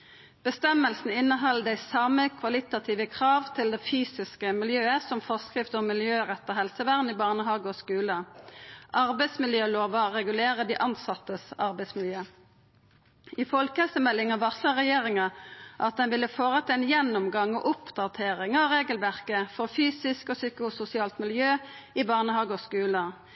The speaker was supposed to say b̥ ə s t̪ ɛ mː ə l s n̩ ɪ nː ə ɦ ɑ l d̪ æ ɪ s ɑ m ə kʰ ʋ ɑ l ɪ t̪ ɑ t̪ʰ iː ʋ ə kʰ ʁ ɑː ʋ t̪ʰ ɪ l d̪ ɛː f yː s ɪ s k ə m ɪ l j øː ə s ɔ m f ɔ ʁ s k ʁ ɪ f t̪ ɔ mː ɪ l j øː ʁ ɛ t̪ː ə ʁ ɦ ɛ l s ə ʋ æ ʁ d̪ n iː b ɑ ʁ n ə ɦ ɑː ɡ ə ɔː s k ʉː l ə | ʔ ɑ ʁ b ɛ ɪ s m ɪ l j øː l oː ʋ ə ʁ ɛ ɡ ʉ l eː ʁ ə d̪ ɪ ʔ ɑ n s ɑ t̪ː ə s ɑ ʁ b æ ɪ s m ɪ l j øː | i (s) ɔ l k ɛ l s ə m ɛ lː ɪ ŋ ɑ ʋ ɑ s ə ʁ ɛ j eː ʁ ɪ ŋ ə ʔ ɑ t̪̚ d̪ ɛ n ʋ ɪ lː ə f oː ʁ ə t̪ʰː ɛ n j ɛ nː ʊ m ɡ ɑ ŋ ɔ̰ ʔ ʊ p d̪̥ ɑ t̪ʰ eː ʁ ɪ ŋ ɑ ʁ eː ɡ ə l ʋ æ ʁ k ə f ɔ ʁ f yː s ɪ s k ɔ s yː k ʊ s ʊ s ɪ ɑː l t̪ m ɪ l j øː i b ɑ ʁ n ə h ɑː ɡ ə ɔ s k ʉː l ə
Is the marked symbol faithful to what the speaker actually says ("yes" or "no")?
no